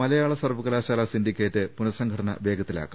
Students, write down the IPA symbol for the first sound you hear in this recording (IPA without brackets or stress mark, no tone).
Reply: ɐ